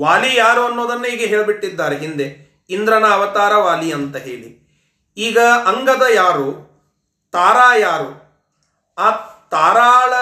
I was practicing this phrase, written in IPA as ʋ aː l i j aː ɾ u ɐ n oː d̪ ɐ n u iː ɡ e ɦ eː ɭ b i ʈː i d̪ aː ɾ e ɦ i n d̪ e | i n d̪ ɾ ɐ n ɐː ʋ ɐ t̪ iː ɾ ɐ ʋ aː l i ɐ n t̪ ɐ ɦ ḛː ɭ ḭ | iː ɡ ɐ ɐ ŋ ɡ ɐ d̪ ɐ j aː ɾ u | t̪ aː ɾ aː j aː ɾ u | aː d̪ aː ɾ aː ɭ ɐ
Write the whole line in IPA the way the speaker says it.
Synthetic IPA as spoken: ʋ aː l i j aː ɾ u ɐ nː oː d̪ ɐ nː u iː ɡ e ɦ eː ɭ b i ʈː i d̪ː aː ɾ e ɦ i n d̪ e | i n d̪ ɾ ɐ n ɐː ʋ ɐ t̪ aː ɾ ɐ ʋ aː l i ɐ n t̪ ɐ ɦ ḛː ɭ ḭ | iː ɡ ɐ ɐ ŋ ɡ ɐ d̪ ɐ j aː ɾ u | t̪ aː ɾ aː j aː ɾ u | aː t̪ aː ɾ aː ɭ ɐ